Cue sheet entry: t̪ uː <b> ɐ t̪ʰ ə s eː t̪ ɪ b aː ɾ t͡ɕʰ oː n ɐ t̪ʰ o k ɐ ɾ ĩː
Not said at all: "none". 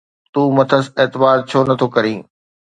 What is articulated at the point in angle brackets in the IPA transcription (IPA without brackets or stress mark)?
m